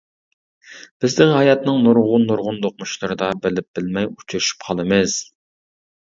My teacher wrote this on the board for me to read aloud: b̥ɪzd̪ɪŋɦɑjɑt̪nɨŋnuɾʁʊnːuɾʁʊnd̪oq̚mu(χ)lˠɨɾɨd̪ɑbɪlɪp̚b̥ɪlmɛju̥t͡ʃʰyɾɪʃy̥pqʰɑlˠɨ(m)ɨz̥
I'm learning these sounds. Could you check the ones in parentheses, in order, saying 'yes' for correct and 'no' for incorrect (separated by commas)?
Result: no, yes